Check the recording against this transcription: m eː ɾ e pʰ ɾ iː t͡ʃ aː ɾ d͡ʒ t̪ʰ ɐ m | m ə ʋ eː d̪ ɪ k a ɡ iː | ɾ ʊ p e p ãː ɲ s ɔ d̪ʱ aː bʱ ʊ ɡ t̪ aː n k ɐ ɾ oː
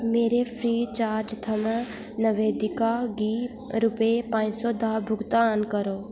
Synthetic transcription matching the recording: m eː ɾ e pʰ ɾ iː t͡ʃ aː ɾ d͡ʒ t̪ʰ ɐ m | n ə ʋ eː d̪ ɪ k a ɡ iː | ɾ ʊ p e p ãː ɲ s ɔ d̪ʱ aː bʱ ʊ ɡ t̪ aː n k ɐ ɾ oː